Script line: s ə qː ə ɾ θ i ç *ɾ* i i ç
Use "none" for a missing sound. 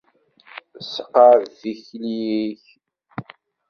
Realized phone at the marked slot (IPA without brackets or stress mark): l